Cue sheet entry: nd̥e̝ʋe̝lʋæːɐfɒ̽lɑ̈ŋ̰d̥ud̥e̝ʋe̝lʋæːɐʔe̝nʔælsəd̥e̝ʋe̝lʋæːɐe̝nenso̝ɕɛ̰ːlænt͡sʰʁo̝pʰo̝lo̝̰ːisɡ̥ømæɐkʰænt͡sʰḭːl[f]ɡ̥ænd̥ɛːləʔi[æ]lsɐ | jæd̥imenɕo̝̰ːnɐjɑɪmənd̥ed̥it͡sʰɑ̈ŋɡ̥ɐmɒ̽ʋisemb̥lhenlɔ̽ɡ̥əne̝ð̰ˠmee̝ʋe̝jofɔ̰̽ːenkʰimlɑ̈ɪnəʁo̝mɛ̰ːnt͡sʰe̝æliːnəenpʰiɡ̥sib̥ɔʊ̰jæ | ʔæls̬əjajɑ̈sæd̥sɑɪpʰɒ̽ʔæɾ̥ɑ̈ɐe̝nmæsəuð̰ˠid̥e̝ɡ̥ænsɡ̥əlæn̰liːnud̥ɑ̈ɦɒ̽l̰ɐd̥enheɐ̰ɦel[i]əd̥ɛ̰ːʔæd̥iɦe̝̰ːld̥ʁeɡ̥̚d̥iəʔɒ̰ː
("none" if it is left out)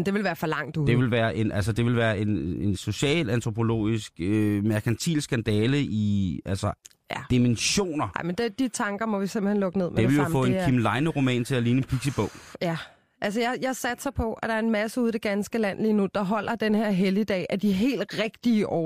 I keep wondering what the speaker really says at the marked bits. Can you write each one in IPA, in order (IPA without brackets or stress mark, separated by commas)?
s, æ, i